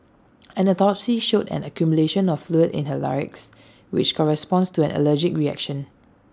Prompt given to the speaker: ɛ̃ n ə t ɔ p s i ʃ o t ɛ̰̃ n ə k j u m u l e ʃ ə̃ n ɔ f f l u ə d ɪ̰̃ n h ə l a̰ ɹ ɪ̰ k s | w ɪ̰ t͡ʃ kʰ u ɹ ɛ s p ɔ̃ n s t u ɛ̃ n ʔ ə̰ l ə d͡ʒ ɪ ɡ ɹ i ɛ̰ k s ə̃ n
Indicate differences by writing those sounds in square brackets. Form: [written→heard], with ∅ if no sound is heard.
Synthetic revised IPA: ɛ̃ n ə t ɔ p s i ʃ o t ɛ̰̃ n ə k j u m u l e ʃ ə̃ n ɔ f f l u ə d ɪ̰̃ n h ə l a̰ ɹ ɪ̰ k s | w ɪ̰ t͡ʃ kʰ [u→ɔ] ɹ ɛ s p ɔ̃ n s t u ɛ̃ n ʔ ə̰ l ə d͡ʒ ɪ [ɡ→k] ɹ i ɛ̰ k [s→ʃ] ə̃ n